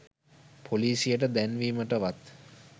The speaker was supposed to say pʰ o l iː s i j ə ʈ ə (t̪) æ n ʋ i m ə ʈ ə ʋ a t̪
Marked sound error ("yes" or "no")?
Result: yes